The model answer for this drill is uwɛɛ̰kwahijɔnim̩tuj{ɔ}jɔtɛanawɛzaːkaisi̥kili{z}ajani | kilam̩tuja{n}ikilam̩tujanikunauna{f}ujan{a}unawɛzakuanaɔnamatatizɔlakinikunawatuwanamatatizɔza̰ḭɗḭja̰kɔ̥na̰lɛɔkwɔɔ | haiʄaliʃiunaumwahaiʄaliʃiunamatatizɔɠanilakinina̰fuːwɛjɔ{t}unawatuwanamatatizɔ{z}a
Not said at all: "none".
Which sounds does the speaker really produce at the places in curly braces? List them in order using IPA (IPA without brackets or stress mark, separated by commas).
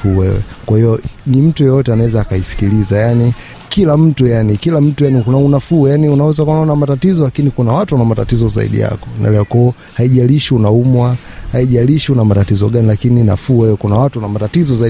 ɔ, z, n, f, i, k, z